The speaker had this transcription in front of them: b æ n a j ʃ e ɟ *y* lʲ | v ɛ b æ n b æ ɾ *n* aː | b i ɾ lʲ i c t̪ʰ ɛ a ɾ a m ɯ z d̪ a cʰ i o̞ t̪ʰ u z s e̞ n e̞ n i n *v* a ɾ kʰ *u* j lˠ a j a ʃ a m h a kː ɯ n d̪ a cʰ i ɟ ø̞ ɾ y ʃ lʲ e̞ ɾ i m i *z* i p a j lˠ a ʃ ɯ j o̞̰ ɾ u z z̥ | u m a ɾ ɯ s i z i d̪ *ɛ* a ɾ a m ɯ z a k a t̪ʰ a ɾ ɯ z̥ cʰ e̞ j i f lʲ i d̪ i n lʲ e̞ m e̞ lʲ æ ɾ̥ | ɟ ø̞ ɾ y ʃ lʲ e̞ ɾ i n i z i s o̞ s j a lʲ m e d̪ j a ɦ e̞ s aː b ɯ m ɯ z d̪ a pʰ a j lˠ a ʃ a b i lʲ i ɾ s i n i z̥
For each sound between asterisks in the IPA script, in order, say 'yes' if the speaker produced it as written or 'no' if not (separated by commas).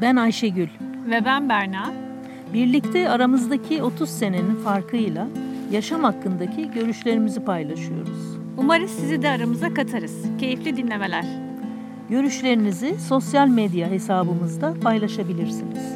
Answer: yes, yes, no, no, yes, yes